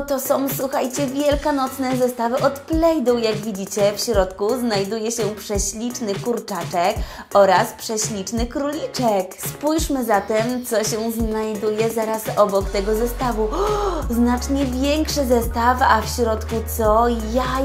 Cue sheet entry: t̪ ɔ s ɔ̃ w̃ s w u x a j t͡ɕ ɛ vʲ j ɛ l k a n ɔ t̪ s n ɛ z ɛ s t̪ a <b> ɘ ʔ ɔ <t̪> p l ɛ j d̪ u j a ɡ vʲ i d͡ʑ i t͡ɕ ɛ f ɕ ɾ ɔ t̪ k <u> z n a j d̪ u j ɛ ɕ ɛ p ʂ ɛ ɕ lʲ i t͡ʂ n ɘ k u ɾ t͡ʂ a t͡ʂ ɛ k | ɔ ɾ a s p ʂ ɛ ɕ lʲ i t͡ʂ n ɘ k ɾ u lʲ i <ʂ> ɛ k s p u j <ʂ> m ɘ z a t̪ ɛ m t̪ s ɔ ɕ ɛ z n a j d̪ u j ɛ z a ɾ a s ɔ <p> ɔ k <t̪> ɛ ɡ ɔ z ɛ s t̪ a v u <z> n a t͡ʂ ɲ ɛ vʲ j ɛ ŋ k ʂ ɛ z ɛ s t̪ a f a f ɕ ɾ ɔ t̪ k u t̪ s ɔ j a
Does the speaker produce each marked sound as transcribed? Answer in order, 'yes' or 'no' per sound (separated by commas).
no, yes, yes, no, yes, no, yes, yes